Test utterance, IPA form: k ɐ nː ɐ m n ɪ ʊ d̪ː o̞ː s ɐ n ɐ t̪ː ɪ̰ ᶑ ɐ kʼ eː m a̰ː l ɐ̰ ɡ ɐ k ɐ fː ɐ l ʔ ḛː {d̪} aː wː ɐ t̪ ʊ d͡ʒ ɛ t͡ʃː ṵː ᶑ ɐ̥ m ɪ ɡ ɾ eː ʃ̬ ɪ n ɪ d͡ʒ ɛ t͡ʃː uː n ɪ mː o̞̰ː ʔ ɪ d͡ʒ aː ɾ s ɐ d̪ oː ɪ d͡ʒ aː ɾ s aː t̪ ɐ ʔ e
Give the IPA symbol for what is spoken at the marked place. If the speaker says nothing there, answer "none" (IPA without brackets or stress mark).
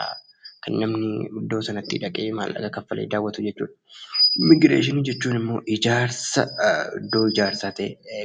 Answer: d̪